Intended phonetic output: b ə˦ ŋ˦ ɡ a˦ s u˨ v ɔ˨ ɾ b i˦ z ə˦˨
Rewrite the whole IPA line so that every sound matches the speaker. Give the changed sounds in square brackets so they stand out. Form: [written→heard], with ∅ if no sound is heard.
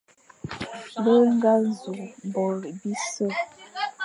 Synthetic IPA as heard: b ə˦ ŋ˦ ɡ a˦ [s→z] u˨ [v→b] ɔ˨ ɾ b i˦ [z→s] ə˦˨